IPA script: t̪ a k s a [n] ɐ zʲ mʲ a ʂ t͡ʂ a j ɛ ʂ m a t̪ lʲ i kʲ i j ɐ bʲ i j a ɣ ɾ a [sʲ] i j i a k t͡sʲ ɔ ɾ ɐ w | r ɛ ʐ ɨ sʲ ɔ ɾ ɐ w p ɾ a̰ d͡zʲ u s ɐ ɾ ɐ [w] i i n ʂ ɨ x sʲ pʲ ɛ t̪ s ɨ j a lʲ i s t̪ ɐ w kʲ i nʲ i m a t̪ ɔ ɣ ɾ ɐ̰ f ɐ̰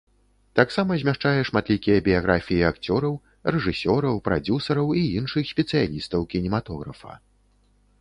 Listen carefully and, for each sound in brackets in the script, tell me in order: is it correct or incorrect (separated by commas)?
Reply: incorrect, incorrect, correct